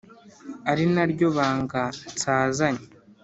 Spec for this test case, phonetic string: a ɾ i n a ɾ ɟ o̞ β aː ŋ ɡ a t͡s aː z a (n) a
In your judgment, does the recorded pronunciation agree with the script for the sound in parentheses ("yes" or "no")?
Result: no